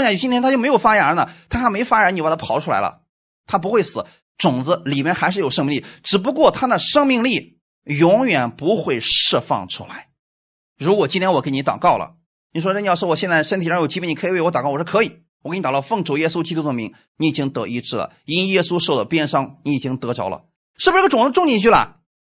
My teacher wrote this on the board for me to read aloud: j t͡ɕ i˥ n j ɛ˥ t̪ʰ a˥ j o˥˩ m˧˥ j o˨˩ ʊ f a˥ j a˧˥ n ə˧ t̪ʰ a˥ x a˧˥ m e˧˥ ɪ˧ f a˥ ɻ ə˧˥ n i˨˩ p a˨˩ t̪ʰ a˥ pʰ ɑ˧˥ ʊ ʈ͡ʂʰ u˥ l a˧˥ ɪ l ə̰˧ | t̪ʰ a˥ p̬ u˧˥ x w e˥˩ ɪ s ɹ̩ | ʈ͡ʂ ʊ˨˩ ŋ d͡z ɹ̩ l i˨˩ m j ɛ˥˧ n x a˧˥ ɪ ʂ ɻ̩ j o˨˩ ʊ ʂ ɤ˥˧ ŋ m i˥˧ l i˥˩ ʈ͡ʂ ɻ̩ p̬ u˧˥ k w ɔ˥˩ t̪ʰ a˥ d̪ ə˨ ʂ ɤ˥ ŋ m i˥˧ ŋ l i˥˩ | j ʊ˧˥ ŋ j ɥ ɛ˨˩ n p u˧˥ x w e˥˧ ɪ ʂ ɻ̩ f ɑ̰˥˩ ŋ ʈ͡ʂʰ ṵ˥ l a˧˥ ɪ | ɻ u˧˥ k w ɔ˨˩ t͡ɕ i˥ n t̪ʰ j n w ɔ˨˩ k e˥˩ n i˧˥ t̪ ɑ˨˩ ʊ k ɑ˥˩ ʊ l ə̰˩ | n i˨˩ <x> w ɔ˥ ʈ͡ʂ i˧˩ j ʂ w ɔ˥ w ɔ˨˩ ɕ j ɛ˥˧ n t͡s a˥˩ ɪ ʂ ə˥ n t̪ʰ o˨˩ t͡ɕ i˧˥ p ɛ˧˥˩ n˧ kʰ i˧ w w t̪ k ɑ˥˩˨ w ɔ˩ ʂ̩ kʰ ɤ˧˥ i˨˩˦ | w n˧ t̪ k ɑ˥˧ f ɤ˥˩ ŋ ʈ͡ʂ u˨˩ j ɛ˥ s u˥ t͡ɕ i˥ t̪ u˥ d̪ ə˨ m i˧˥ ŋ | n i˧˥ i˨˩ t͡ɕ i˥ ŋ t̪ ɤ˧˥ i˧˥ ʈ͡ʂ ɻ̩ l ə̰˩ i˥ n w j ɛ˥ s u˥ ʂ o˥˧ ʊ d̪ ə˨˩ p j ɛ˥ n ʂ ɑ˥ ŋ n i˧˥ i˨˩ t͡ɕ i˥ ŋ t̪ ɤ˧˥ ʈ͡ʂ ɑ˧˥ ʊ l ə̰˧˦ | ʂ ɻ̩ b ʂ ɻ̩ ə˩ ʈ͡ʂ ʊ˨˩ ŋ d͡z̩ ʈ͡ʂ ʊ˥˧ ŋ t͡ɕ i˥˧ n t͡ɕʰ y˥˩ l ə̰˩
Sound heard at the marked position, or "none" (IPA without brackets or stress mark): ʂ